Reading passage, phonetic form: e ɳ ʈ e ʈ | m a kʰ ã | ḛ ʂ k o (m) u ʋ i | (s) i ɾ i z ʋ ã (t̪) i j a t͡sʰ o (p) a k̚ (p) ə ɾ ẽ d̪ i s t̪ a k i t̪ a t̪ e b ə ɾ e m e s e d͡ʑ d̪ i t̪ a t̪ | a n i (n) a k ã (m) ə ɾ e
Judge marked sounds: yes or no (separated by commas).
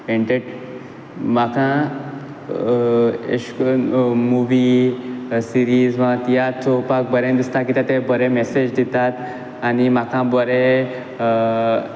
yes, yes, yes, yes, no, no, no